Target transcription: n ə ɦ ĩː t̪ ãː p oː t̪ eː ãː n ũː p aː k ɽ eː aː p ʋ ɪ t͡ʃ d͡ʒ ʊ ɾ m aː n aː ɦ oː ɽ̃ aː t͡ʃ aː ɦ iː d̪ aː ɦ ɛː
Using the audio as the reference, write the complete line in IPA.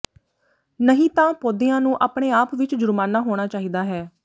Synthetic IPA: n ə ɦ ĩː t̪ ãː p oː d̪ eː ãː n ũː ʔ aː p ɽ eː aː p ʋ ɪ t͡ʃ d͡ʒ ʊ ɾ m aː n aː ɦ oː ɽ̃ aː t͡ʃ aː ɦ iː d̪ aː ɦ ɛː